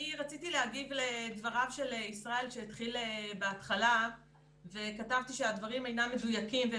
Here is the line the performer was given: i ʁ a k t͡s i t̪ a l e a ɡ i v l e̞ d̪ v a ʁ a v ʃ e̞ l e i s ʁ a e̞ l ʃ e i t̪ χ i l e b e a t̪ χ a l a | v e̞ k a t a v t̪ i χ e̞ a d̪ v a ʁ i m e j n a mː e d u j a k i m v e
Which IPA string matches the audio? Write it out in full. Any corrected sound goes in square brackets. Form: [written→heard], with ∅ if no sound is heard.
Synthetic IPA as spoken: i ʁ a [k→∅] t͡s i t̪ [a→i] l e a ɡ i v l e̞ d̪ v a ʁ a v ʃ e̞ l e i s ʁ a e̞ l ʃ e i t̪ χ i l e b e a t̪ χ a l a | v e̞ k a t a v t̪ i [χ→ʃ] e̞ a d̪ v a ʁ i m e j n a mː e d u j a k i m v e